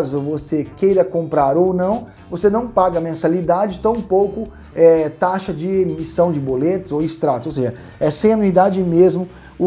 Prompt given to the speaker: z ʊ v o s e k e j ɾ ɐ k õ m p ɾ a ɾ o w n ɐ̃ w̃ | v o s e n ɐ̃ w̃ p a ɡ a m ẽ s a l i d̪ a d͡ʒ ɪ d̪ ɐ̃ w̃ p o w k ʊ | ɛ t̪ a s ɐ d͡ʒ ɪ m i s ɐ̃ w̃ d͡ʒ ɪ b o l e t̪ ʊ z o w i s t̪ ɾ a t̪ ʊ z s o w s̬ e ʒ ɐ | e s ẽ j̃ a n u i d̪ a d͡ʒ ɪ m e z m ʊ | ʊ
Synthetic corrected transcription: z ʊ v o s e k e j ɾ ɐ k õ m p ɾ a ɾ o w n ɐ̃ w̃ | v o s e n ɐ̃ w̃ p a ɡ ɐ m ẽ s a l i d̪ a d͡ʒ ɪ t̪ ɐ̃ w̃ p o w k ʊ | ɛ t̪ a ʃ ɐ d͡ʒ ɪ m i s ɐ̃ w̃ d͡ʒ ɪ b o l e t̪ ʊ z o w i s t̪ ɾ a t̪ ʊ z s o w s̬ e ʒ ɐ | ɛ s ẽ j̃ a n u i d̪ a d͡ʒ ɪ m e z m ʊ | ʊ

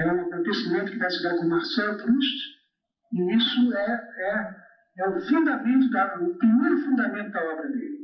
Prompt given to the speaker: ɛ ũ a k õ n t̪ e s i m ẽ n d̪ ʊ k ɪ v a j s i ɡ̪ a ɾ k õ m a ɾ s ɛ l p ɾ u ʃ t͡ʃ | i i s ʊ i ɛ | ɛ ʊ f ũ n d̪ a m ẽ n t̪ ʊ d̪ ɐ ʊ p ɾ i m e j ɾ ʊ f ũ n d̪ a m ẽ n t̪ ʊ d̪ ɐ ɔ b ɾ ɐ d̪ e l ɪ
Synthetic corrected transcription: ɛ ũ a k õ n t̪ e s i m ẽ n t̪ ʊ k ɪ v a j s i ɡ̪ a ɾ k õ m a ɾ s ɛ l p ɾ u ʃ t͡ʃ | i i s ʊ ɛ ɛ | ɛ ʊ f ũ n d̪ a m ẽ n t̪ ʊ d̪ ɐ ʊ p ɾ i m e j ɾ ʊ f ũ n d̪ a m ẽ n t̪ ʊ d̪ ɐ ɔ b ɾ ɐ d̪ e l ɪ

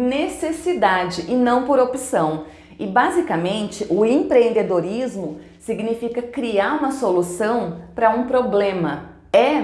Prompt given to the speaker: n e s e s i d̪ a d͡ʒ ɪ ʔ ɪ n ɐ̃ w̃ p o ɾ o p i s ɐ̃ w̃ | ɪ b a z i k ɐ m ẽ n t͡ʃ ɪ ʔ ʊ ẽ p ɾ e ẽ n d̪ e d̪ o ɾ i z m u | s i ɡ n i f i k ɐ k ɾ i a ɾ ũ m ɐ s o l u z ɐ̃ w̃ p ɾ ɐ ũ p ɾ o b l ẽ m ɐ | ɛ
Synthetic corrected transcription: n e s e s i d̪ a d͡ʒ ɪ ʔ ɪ n ɐ̃ w̃ p o ɾ o p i s ɐ̃ w̃ | ɪ b a z i k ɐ m ẽ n t͡ʃ ɪ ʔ ʊ ẽ p ɾ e ẽ n d̪ e d̪ o ɾ i z m ʊ | s i ɡ n i f i k ɐ k ɾ i a ɾ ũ m ɐ s o l u s ɐ̃ w̃ p ɾ ɐ ũ p ɾ o b l ẽ m ɐ | ɛ

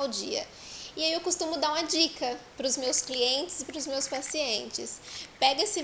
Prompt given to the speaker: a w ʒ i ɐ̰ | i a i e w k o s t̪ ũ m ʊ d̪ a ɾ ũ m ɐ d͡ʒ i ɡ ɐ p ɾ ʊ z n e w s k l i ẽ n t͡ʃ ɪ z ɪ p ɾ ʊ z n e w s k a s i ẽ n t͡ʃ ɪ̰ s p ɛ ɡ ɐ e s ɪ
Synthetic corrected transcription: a w d͡ʒ i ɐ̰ | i a i e w k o s t̪ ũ m ʊ d̪ a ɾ ũ m ɐ d͡ʒ i k ɐ p ɾ ʊ z m e w s k l i ẽ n t͡ʃ ɪ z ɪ p ɾ ʊ z m e w s p a s i ẽ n t͡ʃ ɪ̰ s p ɛ ɡ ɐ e s ɪ

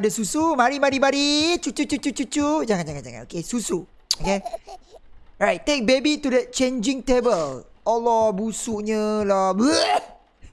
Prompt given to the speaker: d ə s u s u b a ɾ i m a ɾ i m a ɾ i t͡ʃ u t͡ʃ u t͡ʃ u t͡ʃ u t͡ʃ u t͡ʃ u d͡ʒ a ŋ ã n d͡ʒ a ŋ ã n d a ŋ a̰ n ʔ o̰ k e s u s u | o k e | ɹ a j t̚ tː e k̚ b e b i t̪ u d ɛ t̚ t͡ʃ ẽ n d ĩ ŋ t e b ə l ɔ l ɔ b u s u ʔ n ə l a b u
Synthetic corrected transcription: d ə s u s u m a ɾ i m a ɾ i m a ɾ i t͡ʃ u t͡ʃ u t͡ʃ u t͡ʃ u t͡ʃ u t͡ʃ u d͡ʒ a ŋ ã n d͡ʒ a ŋ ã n d͡ʒ a ŋ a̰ n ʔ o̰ k e s u s u | o k e | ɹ a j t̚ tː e k̚ b e b i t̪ u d ɛ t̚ t͡ʃ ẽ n d͡ʒ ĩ ŋ t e b ə l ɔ l ɔ b u s u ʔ ɲ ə l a b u

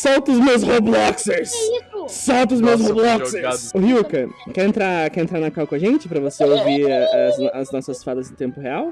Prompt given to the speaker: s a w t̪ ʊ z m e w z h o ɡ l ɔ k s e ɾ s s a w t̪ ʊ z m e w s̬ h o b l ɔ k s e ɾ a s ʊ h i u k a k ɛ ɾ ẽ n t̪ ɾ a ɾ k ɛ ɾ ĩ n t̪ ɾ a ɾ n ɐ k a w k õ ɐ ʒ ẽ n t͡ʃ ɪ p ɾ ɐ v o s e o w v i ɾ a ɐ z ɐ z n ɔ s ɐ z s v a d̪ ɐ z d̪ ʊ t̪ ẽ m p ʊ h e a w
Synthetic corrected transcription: s a w t̪ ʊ z m e w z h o b l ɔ k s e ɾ s s a w t̪ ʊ z m e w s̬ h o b l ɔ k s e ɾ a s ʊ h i u k ɐ k ɛ ɾ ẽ n t̪ ɾ a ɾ k ɛ ɾ ẽ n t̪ ɾ a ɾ n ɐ k a w k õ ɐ ʒ ẽ n t͡ʃ ɪ p ɾ ɐ v o s e o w v i ɾ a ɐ z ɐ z n ɔ s ɐ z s f a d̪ ɐ z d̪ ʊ t̪ ẽ m p ʊ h e a w

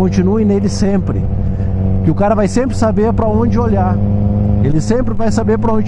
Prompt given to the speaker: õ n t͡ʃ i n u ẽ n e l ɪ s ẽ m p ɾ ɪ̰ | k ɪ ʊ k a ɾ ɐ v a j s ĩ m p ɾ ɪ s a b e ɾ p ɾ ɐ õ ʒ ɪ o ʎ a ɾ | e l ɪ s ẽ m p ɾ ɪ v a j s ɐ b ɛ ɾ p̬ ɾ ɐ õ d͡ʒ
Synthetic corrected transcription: õ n t͡ʃ i n u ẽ n e l ɪ s ẽ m p ɾ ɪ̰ | k ɪ ʊ k a ɾ ɐ v a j s ẽ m p ɾ ɪ s a b e ɾ p ɾ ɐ õ d͡ʒ ɪ o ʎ a ɾ | e l ɪ s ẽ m p ɾ ɪ v a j s a b e ɾ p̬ ɾ ɐ õ d͡ʒ

